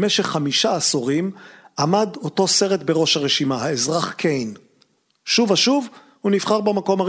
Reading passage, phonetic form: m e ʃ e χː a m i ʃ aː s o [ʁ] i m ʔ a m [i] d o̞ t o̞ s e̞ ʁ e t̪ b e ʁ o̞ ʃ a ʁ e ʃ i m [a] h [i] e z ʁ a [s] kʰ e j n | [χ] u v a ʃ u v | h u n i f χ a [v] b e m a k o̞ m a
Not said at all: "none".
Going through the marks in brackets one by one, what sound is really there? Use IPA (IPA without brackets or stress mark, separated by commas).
ʁ, a, a, a, χ, ʃ, ʁ